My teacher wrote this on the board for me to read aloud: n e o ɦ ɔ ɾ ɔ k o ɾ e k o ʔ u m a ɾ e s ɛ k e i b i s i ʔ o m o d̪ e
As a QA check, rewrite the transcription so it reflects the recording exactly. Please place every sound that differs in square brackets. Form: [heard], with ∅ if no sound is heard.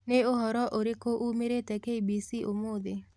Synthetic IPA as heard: n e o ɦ ɔ ɾ ɔ [ʔ] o ɾ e k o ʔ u m [e] ɾ e [t] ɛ k e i b i s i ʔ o m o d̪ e